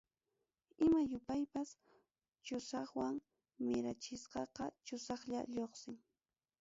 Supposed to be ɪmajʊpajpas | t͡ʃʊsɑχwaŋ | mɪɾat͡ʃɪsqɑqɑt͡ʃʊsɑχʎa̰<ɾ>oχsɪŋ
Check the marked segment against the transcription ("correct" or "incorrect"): incorrect